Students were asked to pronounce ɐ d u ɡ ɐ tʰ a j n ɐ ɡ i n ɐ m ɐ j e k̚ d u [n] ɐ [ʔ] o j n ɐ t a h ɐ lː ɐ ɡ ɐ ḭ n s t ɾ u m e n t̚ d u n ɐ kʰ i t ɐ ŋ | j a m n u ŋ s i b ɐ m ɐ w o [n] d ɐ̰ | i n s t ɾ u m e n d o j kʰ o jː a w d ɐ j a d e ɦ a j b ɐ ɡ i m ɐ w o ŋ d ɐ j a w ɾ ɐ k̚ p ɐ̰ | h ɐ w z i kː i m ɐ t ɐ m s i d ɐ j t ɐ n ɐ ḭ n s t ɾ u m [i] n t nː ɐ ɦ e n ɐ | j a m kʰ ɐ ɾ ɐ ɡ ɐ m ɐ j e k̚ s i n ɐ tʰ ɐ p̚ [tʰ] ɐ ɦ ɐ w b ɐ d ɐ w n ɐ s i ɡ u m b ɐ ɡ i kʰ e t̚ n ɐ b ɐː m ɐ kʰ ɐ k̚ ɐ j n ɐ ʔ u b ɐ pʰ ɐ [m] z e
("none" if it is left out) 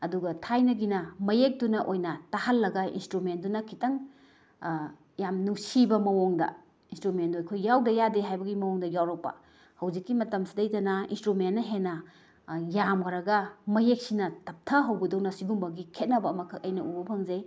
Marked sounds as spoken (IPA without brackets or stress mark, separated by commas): n, ʔ, ŋ, e, tʰ, ŋ